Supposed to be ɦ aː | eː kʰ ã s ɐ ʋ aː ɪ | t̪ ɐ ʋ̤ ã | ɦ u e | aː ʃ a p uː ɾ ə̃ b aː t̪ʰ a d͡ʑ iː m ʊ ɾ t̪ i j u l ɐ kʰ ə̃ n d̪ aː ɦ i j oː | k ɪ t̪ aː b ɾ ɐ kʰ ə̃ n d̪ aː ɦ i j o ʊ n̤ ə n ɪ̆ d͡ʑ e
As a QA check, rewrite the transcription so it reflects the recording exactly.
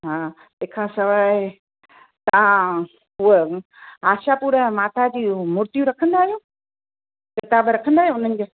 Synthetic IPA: ɦ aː | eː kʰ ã s ɐ ʋ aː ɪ | t̪ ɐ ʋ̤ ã | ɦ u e | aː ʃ a p uː ɾ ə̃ m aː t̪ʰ a d͡ʑ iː m ʊ ɾ t̪ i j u ɾ ɐ kʰ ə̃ n d̪ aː ɦ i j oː | k ɪ t̪ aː b ɾ ɐ kʰ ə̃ n d̪ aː ɦ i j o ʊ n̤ ə n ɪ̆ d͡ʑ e